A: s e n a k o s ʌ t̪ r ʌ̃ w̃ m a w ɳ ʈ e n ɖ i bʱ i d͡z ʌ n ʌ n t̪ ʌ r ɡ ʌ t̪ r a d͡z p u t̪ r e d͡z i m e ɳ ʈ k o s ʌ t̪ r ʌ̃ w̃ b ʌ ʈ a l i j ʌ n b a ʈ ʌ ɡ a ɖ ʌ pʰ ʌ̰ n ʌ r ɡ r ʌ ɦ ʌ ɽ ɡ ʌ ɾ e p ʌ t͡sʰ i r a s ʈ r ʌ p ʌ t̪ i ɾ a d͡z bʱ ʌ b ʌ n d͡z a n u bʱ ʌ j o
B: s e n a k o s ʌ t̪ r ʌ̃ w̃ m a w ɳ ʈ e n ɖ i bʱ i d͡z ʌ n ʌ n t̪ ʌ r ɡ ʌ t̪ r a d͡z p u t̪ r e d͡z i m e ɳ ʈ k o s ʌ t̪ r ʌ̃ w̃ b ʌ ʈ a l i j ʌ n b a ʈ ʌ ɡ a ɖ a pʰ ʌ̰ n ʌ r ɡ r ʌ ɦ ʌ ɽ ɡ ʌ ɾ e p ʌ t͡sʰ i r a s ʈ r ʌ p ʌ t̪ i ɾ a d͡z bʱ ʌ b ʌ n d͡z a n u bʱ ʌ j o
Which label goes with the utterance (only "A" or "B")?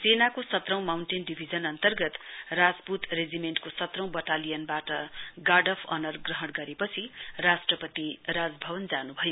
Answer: A